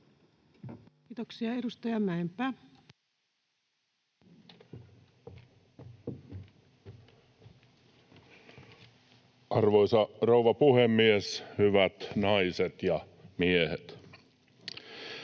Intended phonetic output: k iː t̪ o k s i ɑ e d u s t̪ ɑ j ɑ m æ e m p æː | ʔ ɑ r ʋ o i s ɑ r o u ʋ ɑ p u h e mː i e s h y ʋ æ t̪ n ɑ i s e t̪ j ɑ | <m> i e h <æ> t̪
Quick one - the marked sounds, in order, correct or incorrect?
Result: correct, incorrect: e

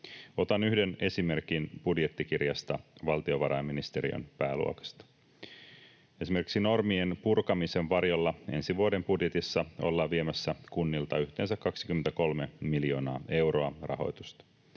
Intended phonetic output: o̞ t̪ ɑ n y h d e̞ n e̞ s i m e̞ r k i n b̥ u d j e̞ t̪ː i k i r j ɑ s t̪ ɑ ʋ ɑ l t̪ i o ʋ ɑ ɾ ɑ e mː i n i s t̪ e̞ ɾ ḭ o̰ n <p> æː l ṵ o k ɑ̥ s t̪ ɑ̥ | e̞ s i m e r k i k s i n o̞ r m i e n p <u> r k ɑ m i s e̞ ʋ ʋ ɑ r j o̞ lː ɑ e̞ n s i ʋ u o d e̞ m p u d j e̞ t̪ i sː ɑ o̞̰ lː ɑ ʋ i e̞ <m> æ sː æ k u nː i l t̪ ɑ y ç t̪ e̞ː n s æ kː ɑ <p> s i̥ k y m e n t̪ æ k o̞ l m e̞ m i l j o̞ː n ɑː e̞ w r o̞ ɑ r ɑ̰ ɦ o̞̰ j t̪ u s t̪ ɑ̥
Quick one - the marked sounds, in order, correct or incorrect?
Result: correct, correct, correct, incorrect: k

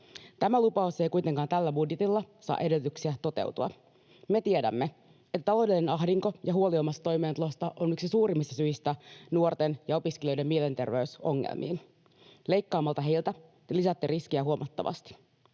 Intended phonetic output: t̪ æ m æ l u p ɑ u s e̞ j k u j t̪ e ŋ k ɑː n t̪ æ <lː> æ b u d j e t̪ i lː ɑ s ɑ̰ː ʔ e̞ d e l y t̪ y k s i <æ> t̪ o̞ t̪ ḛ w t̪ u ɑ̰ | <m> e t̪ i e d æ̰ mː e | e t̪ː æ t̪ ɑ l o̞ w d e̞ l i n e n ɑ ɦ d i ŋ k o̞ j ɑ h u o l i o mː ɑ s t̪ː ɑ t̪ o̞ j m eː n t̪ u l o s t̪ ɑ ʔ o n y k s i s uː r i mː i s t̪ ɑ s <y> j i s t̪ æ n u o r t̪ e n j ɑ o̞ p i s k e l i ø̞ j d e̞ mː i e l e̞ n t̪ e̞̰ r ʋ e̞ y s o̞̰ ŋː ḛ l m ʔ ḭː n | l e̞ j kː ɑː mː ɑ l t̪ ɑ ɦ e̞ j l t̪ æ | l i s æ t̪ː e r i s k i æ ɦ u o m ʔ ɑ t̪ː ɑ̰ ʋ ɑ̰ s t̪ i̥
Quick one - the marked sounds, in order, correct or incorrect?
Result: correct, correct, correct, correct

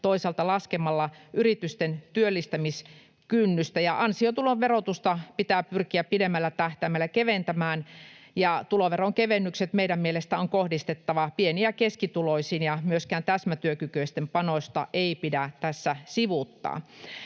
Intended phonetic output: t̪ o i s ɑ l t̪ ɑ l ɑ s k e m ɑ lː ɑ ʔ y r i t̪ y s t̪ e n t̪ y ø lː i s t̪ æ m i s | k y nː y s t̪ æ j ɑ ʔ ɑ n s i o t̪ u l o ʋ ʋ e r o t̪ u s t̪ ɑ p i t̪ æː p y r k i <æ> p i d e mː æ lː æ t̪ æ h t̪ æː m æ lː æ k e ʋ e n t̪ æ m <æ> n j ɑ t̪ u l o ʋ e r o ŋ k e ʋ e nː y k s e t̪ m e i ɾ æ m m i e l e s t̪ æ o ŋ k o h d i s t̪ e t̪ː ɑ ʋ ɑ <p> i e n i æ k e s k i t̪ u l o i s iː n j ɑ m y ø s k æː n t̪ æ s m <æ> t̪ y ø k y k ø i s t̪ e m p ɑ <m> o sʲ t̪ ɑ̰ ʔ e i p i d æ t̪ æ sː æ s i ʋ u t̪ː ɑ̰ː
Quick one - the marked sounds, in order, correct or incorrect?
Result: correct, incorrect: æː, correct, correct, incorrect: n

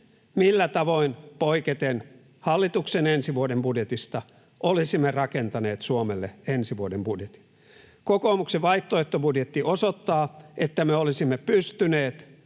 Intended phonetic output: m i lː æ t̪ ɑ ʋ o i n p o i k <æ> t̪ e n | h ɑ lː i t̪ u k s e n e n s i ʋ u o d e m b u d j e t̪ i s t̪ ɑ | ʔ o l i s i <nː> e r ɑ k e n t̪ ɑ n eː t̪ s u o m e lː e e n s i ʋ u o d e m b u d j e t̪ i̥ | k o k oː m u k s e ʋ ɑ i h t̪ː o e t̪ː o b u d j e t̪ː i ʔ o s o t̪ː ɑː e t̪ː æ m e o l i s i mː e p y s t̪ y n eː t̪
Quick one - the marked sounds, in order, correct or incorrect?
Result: incorrect: e, incorrect: mː

